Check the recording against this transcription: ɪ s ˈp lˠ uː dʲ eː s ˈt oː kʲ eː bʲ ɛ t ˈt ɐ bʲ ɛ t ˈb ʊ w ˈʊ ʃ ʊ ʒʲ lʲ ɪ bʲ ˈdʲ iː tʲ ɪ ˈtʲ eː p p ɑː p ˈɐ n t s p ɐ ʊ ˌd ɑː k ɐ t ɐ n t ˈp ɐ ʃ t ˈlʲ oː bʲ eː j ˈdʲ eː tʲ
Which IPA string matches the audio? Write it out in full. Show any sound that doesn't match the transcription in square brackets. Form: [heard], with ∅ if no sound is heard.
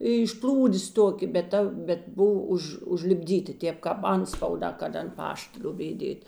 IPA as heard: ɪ [ʃ] ˈp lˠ uː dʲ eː s ˈt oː kʲ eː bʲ ɛ t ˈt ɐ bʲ ɛ t ˈb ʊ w ˈʊ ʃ ʊ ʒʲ lʲ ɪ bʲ ˈdʲ iː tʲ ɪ ˈtʲ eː p [k] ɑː p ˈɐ n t s p ɐ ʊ ˌd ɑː k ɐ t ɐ n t ˈp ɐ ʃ t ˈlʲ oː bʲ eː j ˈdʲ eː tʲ